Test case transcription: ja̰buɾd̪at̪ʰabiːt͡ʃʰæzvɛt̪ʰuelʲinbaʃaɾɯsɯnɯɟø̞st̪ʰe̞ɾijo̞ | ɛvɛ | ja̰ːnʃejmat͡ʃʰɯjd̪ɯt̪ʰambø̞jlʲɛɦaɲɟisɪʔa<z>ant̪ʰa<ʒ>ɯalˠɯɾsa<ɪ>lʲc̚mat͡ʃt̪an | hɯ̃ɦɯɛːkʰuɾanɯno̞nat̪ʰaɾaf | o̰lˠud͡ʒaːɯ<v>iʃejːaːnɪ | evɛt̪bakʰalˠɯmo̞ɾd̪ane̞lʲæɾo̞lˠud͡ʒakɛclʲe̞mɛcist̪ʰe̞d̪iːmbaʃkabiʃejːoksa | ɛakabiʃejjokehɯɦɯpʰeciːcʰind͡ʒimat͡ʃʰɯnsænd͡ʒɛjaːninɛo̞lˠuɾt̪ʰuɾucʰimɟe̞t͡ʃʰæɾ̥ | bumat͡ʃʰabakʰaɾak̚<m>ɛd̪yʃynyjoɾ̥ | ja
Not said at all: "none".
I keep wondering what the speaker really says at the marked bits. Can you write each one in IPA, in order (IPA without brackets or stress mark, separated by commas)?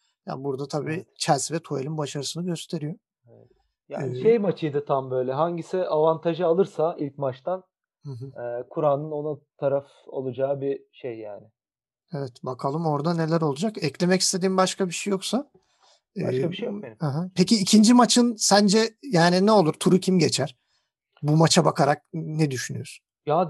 v, ʒ, i, b, n